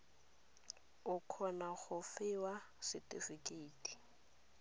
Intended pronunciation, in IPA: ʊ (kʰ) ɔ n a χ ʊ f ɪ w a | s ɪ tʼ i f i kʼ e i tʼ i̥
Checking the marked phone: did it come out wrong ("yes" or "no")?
no